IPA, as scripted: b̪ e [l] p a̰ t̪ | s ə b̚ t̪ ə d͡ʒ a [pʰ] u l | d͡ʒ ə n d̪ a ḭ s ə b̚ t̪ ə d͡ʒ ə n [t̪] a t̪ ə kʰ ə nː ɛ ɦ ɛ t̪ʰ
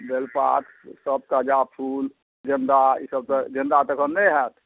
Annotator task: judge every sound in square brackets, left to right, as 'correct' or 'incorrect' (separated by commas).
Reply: correct, correct, incorrect